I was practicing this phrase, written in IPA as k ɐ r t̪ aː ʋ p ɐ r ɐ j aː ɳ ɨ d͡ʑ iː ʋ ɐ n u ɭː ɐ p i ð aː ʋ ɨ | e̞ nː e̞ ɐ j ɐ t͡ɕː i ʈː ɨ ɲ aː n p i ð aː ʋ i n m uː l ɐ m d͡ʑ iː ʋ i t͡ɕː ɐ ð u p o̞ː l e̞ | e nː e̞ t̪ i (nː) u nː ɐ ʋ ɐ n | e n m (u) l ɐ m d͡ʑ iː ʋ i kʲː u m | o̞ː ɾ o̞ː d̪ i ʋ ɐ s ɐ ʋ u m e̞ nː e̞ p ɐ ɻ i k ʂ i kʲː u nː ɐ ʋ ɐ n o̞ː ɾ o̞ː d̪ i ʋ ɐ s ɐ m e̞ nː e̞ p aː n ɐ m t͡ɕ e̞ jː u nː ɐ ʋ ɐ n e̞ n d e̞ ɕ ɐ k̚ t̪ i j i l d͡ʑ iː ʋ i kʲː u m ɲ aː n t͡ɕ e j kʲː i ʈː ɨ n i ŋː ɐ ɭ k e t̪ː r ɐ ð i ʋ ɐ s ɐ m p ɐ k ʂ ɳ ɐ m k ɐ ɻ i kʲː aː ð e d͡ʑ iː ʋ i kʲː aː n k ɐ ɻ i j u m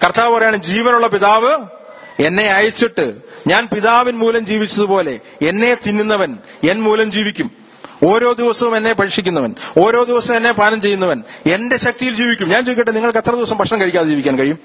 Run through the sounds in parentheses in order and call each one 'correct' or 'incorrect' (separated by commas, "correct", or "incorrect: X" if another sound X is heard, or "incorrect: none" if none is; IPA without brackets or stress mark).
correct, incorrect: uː